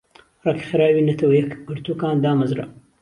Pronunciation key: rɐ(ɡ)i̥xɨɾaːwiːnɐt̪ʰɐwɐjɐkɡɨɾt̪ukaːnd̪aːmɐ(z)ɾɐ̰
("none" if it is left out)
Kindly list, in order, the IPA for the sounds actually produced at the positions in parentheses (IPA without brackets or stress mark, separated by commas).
k, z